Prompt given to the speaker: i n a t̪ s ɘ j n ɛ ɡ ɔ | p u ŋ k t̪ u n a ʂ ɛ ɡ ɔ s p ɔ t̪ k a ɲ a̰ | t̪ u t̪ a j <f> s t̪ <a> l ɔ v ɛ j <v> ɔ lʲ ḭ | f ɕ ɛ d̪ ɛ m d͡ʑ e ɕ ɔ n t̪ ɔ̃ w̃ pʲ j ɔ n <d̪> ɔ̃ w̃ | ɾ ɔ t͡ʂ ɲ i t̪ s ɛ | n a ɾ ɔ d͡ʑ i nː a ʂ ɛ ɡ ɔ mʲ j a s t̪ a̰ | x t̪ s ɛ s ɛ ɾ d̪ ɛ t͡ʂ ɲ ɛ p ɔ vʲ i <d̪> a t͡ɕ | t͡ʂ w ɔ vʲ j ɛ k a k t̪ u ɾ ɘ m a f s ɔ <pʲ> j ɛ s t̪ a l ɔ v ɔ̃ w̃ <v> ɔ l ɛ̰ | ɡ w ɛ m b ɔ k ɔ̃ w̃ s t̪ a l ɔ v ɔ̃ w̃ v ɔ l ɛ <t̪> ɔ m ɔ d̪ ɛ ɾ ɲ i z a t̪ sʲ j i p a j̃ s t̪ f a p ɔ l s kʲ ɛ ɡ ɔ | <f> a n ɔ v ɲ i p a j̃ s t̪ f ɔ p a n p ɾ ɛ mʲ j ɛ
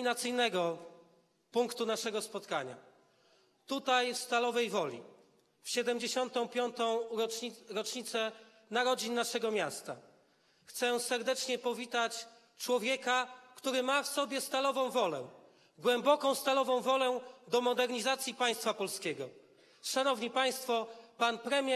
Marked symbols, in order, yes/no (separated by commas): yes, yes, yes, no, no, no, yes, no, no